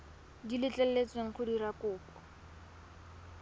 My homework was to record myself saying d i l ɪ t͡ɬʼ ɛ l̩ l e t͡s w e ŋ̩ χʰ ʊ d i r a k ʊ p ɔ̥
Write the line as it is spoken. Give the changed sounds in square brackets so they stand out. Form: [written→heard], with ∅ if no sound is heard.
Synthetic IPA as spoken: d i l ɪ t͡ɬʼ ɛ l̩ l e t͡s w e ŋ̩ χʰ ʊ d i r a k [ʊ→ʊː] p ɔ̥